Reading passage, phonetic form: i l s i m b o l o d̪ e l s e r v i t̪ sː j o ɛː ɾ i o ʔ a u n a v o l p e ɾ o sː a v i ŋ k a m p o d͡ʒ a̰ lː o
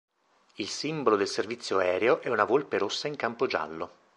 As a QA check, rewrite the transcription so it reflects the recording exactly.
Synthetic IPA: i l s i m b o l o d̪ e l s e r v i t̪ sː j o ɛː ɾ e o ʔ ɛ u n a v o l p e ɾ o sː a i ŋ k a m p o d͡ʒ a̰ lː o